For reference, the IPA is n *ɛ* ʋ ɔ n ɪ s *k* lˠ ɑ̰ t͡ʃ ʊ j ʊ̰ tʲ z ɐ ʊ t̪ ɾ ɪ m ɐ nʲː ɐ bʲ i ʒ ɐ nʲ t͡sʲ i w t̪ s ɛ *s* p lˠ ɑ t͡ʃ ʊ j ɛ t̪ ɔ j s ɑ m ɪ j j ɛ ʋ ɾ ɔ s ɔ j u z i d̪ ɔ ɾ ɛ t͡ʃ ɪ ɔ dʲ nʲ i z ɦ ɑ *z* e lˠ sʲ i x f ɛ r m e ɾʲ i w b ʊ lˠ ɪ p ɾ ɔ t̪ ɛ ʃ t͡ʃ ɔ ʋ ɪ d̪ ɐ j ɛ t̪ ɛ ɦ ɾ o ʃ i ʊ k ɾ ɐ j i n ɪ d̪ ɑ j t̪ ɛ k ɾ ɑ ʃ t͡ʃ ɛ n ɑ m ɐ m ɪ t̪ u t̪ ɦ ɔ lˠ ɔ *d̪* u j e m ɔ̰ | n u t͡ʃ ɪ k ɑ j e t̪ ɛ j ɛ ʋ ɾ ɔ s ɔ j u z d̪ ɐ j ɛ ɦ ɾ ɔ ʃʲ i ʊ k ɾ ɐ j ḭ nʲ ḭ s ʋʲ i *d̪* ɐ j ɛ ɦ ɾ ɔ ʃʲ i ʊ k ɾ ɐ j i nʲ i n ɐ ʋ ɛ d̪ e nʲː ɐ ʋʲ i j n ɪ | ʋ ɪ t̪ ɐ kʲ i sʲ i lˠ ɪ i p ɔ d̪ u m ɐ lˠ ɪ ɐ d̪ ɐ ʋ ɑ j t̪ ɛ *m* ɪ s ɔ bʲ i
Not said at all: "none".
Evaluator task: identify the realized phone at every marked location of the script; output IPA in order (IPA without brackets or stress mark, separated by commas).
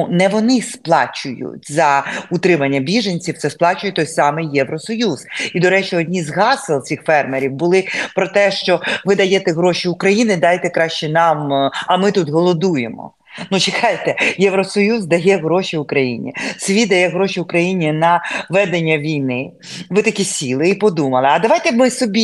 ɛ, p, s, s, d̪, d̪, m